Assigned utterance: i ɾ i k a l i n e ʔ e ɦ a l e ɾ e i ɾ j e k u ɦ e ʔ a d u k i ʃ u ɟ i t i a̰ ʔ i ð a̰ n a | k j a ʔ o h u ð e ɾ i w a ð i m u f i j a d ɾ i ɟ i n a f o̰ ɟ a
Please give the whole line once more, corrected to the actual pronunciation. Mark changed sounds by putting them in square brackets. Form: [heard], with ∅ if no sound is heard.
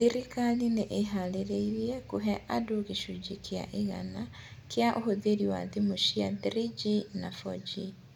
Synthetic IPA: i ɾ i k a l i n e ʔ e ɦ a l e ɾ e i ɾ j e k u ɦ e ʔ a d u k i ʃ u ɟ i [k] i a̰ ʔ i [ɣ] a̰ n a | k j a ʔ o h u ð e ɾ i w a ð i m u [ʃ] i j a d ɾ i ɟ i n a f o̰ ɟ [i]